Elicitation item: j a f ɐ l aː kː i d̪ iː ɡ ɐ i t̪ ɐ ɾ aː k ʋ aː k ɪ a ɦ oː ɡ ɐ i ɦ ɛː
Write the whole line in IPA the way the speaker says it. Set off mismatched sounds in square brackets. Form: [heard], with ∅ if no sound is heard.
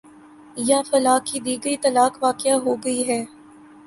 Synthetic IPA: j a f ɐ l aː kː i d̪ iː ɡ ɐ i t̪ ɐ [l] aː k ʋ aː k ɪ a ɦ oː ɡ ɐ i ɦ ɛː